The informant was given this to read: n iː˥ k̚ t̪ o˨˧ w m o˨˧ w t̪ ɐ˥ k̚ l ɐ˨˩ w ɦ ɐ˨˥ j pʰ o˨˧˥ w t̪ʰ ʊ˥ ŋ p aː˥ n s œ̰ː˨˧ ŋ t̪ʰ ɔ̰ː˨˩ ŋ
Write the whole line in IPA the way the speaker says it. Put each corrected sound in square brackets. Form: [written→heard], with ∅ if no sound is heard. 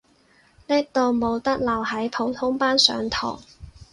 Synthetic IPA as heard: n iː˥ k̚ t̪ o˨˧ w m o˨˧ w t̪ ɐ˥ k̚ l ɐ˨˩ w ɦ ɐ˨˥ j pʰ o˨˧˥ w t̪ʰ ʊ˥ ŋ p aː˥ n s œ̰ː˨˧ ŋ t̪ʰ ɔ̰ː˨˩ ŋ